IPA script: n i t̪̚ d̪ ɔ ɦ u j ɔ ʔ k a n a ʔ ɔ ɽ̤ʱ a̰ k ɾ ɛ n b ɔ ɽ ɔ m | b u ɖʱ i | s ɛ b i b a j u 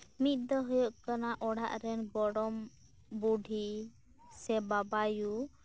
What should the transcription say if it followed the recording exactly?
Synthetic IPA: m i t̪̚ d̪ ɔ ɦ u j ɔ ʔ k a n a ʔ ɔ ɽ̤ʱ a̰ ʔ ɾ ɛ n b ɔ ɽ ɔ m | b u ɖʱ i | s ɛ b a b a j u